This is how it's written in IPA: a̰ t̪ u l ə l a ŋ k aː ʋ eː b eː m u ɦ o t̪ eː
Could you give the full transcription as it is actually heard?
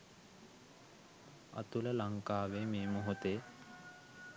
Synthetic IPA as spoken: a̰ t̪ u l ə l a ŋ k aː ʋ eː m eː m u ɦ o t̪ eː